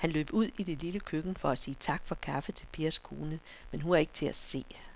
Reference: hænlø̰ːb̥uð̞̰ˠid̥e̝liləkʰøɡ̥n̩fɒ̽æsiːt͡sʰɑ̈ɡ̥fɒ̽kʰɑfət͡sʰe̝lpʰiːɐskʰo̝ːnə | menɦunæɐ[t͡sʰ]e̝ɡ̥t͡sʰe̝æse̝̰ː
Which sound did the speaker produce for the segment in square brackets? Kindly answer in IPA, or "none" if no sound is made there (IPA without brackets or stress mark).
none